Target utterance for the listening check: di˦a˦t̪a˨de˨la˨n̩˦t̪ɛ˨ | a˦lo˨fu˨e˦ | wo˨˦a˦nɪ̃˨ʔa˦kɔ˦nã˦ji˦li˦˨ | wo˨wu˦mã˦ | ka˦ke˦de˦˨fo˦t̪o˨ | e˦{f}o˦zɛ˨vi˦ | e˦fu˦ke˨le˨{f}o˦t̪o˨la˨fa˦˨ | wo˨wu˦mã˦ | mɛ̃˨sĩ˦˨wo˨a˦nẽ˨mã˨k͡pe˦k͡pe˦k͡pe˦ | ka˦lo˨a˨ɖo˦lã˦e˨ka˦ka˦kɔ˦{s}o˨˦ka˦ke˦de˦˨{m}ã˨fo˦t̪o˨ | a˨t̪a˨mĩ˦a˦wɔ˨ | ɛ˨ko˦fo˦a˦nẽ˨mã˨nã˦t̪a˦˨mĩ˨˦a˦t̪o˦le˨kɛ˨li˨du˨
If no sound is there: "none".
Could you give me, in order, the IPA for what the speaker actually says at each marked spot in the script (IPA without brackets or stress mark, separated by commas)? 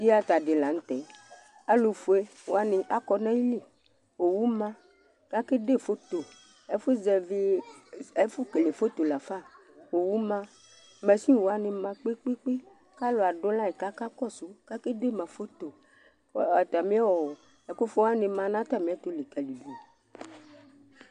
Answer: f, f, s, m